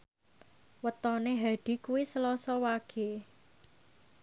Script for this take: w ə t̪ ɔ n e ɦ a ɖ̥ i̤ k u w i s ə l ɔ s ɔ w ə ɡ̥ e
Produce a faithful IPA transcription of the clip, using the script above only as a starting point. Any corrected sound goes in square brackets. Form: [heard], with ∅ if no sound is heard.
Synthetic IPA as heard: w ə t̪ ɔ n e ɦ a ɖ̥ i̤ k u w i s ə l ɔ s ɔ w [a] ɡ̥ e